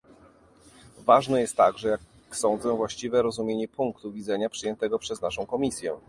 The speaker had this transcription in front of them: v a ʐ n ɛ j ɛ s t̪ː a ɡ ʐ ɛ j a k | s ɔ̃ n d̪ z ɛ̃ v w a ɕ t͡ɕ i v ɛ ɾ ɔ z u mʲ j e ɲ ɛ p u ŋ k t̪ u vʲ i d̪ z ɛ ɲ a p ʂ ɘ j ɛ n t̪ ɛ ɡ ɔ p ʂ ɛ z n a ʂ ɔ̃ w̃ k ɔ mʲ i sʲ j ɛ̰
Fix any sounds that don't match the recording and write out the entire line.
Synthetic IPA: v a ʐ n ɛ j ɛ s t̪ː a ɡ ʐ ɛ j a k | s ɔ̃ n d̪ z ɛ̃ v w a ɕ t͡ɕ i v ɛ ɾ ɔ z u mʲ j e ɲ ɛ p u ŋ k t̪ u vʲ i d̪ z ɛ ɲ a p ʂ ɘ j ɛ n t̪ ɛ ɡ ɔ p ʂ ɛ z n a ʂ ɔ̃ w̃ k ɔ mʲ i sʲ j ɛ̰